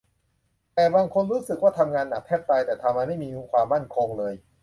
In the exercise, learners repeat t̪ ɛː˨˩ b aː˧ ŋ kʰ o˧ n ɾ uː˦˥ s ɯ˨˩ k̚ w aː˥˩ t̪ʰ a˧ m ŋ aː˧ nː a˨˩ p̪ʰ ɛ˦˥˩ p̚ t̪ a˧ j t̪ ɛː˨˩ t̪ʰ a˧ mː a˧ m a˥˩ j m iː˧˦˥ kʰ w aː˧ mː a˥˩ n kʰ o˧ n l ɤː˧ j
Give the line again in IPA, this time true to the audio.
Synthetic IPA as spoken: t̪ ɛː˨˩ b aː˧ ŋ kʰ o˧ n ɾ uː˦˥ s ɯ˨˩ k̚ w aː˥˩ t̪ʰ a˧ m ŋ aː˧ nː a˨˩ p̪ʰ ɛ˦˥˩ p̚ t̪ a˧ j t̪ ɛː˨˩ t̪ʰ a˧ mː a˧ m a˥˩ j m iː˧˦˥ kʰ w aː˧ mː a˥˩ n kʰ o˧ ŋ l ɤː˧ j